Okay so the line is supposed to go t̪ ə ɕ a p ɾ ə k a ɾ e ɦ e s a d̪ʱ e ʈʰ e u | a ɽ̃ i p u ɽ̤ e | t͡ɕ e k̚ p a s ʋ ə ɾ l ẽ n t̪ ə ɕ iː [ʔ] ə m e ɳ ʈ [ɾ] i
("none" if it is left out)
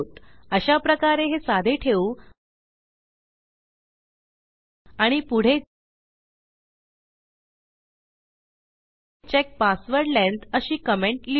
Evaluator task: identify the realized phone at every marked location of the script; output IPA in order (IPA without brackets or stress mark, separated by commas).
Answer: k, l